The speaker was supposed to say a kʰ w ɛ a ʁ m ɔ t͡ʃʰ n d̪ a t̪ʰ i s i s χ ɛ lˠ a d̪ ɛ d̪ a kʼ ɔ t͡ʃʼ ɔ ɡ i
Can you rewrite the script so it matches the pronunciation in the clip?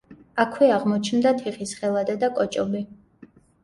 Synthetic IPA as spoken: a kʰ w ɛ a ʁ m ɔ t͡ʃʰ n d̪ a t̪ʰ i χ i s χ ɛ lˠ a d̪ ɛ d̪ a kʼ ɔ t͡ʃʼ ɔ b i